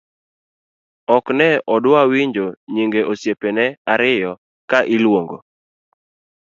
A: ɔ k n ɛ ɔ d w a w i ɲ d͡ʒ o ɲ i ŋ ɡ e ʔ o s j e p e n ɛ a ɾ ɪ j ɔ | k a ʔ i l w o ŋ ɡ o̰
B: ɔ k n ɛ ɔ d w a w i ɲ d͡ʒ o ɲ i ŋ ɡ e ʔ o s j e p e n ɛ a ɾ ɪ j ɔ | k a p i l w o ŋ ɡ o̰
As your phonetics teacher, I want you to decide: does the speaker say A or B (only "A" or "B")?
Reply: A